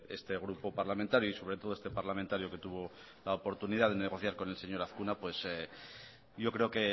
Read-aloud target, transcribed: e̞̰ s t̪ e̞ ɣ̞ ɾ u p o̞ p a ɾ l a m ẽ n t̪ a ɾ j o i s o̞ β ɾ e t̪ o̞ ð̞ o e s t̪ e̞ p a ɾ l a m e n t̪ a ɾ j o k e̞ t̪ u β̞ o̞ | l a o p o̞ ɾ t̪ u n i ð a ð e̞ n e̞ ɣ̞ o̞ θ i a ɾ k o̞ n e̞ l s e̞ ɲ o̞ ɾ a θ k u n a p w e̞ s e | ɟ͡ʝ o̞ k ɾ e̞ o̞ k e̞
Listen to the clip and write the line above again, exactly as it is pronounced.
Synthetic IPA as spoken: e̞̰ s t̪ e̞ ɣ̞ ɾ u p o̞ p a ɾ l a m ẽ n t̪ a ɾ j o i s o̞ β ɾ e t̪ o̞ ð̞ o e s t̪ e̞ p a ɾ l a m e n t̪ a ɾ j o k e̞ t̪ u β̞ o̞ | l a o p o̞ ɾ t̪ u n i ð a ð e̞ n e̞ ɣ̞ o̞ θ j a ɾ k o̞ n e̞ l s e̞ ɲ o̞ ɾ a θ k u n a p w e̞ s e | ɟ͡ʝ o̞ k ɾ e̞ o̞ k e̞